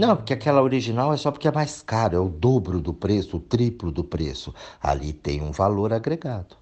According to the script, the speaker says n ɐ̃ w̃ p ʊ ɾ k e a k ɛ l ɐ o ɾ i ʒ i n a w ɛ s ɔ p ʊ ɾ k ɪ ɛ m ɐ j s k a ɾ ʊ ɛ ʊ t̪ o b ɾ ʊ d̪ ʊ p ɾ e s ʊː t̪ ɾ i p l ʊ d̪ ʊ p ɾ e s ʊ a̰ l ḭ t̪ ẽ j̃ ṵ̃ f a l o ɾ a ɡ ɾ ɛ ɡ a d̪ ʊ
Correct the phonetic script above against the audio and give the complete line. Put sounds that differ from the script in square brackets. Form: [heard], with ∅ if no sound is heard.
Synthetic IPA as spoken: n ɐ̃ w̃ p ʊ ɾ k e a k ɛ l ɐ o ɾ i ʒ i n a w ɛ s ɔ p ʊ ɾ k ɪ ɛ m [a] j s k a ɾ ʊ ɛ ʊ [d̪] o b ɾ ʊ d̪ ʊ p ɾ e s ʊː t̪ ɾ i p l ʊ d̪ ʊ p ɾ e s ʊ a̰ l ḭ t̪ ẽ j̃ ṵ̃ [v] a l o ɾ a ɡ ɾ [e] ɡ a d̪ ʊ